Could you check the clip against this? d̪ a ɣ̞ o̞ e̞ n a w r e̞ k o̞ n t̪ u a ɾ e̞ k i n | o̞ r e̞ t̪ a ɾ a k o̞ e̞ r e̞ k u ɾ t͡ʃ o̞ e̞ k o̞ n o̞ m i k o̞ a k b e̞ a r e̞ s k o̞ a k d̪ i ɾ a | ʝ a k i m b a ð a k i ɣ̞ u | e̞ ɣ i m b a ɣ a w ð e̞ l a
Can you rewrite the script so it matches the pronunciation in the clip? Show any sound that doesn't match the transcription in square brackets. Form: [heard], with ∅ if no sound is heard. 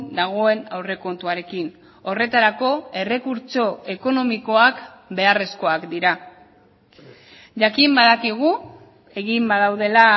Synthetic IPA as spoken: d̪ a ɣ̞ o̞ e̞ n a w r e̞ k o̞ n t̪ u a ɾ e̞ k i n | o̞ r e̞ t̪ a ɾ a k o̞ e̞ r e̞ k u ɾ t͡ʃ o̞ e̞ k o̞ n o̞ m i k o̞ a k b e̞ a r e̞ s k o̞ a k d̪ i ɾ a | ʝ a k i m b a ð a k i ɣ̞ u | e̞ ɣ i m b a [ð] a w ð e̞ l a

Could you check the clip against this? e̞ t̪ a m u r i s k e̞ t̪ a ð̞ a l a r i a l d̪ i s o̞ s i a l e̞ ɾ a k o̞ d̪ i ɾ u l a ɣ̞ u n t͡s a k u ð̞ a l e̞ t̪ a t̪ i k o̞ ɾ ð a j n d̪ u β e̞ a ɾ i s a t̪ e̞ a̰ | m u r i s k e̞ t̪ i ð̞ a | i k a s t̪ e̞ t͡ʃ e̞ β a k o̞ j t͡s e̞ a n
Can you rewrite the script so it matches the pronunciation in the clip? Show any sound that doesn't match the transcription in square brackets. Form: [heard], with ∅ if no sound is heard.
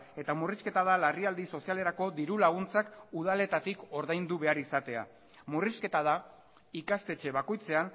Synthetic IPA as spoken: e̞ t̪ a m u r i s k e̞ t̪ a ð̞ a l a r i a l d̪ i s o̞ s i a l e̞ ɾ a k o̞ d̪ i ɾ u l a ɣ̞ u n t͡s a k u ð̞ a l e̞ t̪ a t̪ i k o̞ ɾ ð a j n d̪ u β e̞ a ɾ i s a t̪ e̞ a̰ | m u r i s k e̞ t̪ [a] ð̞ a | i k a s t̪ e̞ t͡ʃ e̞ β a k o̞ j t͡s e̞ a n

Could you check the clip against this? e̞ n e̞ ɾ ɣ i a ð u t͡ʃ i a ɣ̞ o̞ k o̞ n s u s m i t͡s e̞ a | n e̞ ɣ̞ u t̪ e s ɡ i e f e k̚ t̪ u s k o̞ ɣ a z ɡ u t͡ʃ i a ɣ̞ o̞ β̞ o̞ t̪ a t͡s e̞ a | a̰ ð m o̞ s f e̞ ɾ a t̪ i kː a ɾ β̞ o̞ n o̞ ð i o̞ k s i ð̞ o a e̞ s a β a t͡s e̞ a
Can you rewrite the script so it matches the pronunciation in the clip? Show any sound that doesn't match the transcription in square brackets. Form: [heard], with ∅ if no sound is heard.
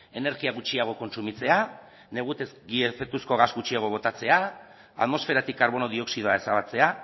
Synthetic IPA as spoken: e̞ n e̞ ɾ ɣ i a [ɣ] u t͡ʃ i a ɣ̞ o̞ k o̞ n s u [∅] m i t͡s e̞ a | n e̞ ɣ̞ u t̪ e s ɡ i e f e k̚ t̪ u s k o̞ ɣ a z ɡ u t͡ʃ i a ɣ̞ o̞ β̞ o̞ t̪ a t͡s e̞ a | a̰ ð m o̞ s f e̞ ɾ a t̪ i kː a ɾ β̞ o̞ n o̞ ð i o̞ k s i ð̞ o a e̞ s a β a t͡s e̞ a

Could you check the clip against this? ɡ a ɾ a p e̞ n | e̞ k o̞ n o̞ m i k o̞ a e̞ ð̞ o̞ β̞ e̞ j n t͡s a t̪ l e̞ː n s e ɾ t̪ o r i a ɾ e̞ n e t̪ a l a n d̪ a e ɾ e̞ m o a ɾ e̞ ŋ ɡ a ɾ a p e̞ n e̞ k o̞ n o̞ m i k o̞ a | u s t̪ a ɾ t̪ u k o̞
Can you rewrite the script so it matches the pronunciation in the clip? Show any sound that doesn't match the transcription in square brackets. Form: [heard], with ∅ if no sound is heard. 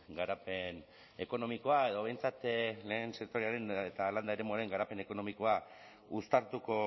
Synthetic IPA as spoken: ɡ a ɾ a p e̞ n | e̞ k o̞ n o̞ m i k o̞ a e̞ ð̞ o̞ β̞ e̞ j n t͡s a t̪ l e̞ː n s e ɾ t̪ o [ɾ] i a ɾ e̞ n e t̪ a l a n d̪ a e ɾ e̞ m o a ɾ e̞ ŋ ɡ a ɾ a p e̞ n e̞ k o̞ n o̞ m i k o̞ a | u s t̪ a ɾ t̪ u k o̞

